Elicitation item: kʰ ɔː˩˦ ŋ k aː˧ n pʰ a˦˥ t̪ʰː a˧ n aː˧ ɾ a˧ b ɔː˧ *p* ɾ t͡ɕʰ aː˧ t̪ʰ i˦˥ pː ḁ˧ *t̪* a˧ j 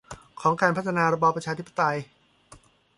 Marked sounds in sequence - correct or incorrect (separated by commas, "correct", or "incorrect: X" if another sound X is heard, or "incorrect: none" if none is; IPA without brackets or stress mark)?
correct, correct